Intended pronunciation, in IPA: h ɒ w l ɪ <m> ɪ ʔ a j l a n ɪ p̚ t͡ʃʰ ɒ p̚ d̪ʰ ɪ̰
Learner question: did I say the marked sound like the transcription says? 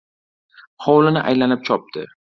no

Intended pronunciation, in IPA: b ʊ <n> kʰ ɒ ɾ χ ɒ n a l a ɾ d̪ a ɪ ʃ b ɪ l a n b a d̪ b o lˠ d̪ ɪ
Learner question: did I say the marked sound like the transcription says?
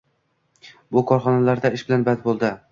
no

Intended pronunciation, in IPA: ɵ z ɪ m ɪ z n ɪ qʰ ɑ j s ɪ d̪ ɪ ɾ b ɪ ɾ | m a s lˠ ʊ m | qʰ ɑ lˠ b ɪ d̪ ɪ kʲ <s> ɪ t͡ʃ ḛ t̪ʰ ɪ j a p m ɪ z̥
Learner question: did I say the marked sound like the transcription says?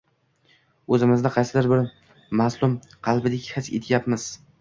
no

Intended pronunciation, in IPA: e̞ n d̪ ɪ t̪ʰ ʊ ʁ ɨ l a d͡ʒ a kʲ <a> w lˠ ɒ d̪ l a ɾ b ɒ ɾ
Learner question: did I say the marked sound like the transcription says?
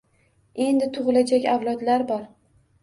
yes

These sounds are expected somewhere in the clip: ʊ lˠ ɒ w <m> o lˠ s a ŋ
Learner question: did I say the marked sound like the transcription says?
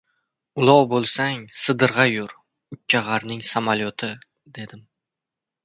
no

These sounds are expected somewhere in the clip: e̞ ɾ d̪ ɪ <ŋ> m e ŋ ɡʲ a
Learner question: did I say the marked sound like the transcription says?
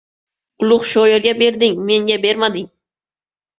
yes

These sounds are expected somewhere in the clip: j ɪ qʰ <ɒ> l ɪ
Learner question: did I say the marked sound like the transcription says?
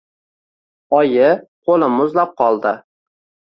no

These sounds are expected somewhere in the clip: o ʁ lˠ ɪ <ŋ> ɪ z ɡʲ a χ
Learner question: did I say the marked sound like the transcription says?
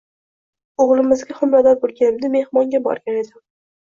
no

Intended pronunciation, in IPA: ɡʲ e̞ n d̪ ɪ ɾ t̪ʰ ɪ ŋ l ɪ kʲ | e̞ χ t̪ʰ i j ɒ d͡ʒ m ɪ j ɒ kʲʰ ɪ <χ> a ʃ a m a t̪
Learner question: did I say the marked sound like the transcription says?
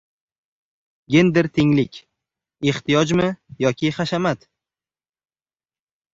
yes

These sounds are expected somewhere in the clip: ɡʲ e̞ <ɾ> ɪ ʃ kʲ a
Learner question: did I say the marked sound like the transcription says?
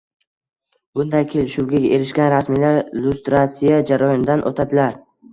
yes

